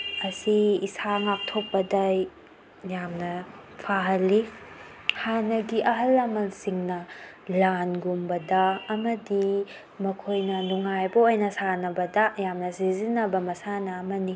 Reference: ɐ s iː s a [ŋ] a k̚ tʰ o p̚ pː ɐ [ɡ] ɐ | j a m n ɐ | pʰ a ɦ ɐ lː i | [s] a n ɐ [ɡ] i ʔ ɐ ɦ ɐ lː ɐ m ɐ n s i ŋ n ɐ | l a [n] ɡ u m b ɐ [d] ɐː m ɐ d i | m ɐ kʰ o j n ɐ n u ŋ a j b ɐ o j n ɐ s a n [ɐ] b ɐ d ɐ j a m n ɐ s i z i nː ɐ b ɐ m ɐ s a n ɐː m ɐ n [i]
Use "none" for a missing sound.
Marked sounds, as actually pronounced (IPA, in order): ŋ, d, h, ɡ, n, d, ɐ, i

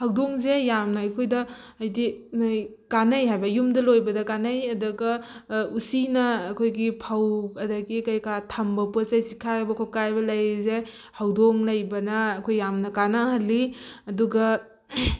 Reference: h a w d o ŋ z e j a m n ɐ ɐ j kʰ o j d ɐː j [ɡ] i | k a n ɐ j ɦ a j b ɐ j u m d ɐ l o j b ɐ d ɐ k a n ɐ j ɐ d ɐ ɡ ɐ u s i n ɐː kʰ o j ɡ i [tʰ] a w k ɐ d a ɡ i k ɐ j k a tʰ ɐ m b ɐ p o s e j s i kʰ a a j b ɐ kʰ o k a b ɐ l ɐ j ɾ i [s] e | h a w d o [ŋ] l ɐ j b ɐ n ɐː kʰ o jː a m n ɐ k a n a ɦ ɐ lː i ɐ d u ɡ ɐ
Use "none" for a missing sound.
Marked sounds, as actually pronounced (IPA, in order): d, pʰ, z, ŋ

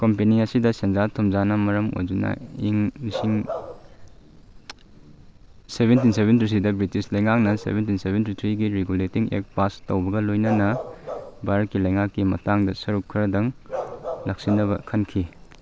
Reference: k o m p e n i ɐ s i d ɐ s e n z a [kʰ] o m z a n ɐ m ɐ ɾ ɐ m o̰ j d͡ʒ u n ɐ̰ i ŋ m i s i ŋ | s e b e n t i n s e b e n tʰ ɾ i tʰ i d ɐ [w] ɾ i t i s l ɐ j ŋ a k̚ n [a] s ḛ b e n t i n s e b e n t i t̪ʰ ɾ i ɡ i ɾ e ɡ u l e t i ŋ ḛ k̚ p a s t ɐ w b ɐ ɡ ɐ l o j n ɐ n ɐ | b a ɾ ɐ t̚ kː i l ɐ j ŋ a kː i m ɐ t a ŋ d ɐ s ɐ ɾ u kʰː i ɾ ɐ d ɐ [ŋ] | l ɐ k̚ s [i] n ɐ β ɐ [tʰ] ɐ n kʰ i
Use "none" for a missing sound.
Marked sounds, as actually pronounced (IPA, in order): tʰ, b, ɐ, ŋ, i, kʰ

